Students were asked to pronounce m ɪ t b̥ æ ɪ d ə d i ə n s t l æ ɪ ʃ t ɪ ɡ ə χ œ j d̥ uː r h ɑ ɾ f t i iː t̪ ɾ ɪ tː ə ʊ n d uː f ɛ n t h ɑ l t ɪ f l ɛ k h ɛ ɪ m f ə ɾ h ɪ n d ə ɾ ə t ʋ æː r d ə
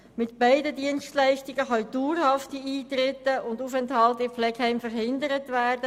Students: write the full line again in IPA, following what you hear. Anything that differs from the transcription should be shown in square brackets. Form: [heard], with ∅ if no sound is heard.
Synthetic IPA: m ɪ t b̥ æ ɪ d ə d i ə n s t l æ ɪ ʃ t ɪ ɡ ə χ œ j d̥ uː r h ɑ [∅] f t i iː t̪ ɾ ɪ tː ə ʊ n d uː f ɛ n t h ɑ l t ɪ f l ɛ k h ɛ ɪ m f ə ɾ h ɪ n d ə ɾ ə t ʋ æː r d ə